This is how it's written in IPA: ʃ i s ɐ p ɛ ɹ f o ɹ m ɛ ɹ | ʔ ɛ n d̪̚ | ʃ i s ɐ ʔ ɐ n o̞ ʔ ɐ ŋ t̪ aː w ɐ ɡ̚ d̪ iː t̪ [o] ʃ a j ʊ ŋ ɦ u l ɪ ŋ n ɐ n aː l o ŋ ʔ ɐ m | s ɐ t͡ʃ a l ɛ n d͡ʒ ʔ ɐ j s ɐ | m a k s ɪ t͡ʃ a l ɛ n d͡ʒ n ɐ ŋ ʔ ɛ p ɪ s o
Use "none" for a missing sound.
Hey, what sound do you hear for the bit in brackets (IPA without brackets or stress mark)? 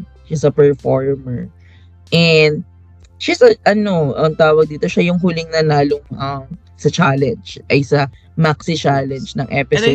o